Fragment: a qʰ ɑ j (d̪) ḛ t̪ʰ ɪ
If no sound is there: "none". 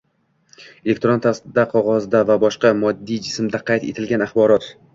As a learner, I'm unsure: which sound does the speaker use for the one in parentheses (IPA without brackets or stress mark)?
t̪